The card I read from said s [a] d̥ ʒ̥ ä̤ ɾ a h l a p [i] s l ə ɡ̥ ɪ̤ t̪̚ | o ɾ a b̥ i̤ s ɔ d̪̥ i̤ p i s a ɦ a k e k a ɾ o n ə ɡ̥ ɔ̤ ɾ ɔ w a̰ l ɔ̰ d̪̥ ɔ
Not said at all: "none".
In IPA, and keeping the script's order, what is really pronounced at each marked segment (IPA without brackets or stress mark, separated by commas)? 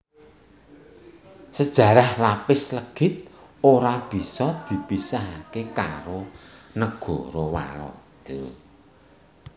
ə, ɪ